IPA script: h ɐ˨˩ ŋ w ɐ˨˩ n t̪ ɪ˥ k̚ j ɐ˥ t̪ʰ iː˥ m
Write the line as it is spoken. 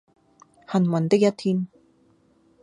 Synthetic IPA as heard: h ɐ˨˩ n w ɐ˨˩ n t̪ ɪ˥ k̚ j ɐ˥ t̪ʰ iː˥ n